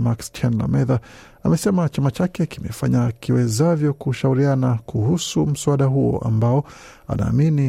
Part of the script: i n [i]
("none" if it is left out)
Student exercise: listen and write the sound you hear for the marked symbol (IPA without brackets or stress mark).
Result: i